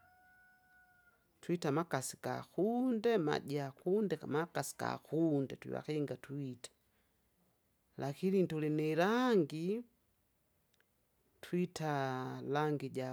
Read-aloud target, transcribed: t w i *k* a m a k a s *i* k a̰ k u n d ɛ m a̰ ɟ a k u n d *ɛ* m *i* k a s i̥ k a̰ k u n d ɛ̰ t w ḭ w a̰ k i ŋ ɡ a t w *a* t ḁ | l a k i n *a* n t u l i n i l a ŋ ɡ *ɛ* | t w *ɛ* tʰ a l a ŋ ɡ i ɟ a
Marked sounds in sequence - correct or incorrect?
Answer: incorrect, correct, correct, incorrect, incorrect, incorrect, incorrect, incorrect

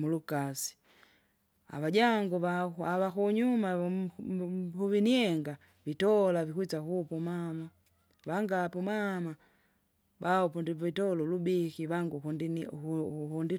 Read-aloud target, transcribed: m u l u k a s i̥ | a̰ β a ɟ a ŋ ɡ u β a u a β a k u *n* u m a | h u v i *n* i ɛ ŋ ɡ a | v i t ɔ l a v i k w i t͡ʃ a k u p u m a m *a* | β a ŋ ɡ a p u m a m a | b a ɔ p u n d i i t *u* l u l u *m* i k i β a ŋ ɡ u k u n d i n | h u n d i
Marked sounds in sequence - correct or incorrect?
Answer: incorrect, correct, correct, incorrect, incorrect

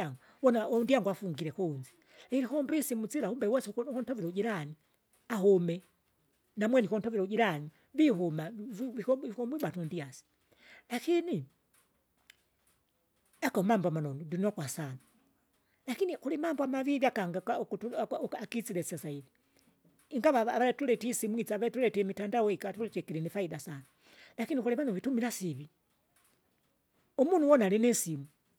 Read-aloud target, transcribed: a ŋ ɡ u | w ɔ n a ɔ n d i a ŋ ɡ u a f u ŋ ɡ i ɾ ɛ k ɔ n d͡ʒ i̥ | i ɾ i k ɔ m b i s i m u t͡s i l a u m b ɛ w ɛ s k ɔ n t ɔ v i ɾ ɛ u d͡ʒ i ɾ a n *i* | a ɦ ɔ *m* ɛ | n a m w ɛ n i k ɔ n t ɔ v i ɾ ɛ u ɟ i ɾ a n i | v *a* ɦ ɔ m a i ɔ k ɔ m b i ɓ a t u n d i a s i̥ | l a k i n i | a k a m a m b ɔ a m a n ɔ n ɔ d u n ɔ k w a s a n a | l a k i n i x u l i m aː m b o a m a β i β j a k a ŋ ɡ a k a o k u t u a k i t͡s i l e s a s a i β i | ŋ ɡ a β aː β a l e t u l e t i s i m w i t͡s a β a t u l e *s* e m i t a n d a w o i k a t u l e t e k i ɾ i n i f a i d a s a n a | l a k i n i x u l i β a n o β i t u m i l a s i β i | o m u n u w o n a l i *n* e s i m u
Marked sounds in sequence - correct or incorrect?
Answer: correct, correct, incorrect, incorrect, correct

